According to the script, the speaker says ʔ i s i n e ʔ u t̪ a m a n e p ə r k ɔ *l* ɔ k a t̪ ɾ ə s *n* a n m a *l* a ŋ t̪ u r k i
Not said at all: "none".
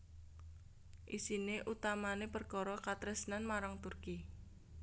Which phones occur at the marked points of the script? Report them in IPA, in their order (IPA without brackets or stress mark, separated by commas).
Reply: ɾ, n, ɾ